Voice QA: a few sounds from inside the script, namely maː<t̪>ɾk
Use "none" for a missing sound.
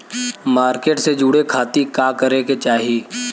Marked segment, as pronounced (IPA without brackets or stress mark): none